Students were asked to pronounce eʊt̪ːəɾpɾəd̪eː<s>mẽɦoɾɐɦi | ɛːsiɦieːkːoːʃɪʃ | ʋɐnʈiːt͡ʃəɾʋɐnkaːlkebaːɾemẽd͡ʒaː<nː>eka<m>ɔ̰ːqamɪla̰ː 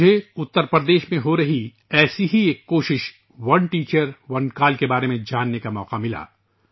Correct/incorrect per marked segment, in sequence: incorrect, correct, correct

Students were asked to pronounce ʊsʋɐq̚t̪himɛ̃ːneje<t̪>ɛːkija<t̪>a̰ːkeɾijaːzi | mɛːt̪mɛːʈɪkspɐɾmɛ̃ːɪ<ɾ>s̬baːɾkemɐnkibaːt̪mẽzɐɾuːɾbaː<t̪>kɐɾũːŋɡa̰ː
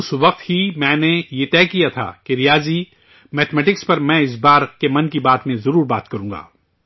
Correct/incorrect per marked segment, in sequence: correct, incorrect, incorrect, correct

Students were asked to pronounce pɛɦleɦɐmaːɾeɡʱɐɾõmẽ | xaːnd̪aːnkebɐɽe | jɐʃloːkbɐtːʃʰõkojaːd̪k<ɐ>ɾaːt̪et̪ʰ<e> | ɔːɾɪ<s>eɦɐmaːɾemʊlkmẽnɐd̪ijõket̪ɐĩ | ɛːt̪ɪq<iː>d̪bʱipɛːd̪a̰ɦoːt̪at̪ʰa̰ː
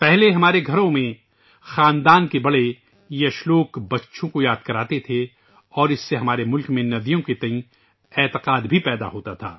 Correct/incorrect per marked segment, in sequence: correct, correct, incorrect, incorrect

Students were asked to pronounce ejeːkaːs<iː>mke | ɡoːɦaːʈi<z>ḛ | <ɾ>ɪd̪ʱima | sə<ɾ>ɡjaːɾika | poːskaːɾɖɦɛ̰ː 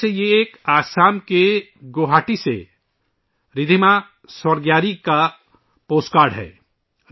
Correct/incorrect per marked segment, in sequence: incorrect, incorrect, correct, correct

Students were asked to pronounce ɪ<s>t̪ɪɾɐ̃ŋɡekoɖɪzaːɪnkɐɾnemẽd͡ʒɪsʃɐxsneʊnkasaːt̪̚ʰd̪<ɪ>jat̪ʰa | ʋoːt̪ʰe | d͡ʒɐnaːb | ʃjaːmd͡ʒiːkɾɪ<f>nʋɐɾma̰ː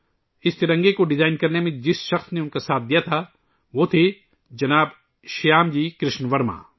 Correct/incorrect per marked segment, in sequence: correct, incorrect, incorrect

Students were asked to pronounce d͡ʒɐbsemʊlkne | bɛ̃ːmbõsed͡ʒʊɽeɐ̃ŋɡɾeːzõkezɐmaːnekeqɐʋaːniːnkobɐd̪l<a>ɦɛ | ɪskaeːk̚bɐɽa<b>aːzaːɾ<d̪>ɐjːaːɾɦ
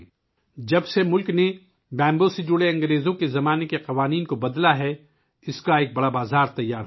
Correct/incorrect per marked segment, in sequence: correct, correct, incorrect

